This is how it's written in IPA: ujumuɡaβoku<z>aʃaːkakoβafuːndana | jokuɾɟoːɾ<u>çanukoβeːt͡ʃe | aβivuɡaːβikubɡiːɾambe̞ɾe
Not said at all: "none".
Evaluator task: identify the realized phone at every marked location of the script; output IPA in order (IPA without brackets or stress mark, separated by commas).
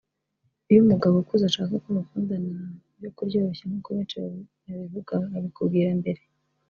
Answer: z, o